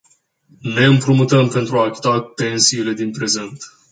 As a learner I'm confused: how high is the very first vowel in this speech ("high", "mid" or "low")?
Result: mid